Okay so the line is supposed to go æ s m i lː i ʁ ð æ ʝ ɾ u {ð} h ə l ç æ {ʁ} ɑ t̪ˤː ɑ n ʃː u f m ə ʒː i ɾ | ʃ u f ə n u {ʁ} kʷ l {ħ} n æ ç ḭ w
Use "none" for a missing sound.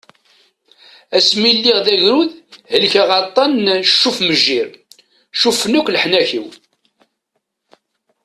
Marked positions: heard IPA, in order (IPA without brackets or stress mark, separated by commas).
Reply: ð, ʁ, none, ħ